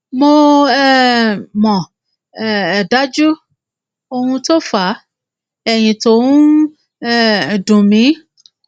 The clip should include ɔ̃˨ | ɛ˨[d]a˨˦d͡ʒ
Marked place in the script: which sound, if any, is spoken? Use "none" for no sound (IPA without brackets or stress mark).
d